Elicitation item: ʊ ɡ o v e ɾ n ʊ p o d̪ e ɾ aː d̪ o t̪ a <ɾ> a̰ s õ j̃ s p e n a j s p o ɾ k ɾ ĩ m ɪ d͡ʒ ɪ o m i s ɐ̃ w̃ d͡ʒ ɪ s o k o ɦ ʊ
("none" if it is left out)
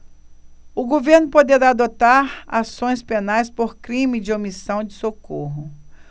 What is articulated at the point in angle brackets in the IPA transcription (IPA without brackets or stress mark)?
ɾ